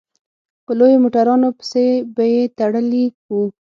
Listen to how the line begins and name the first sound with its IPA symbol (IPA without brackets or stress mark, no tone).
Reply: p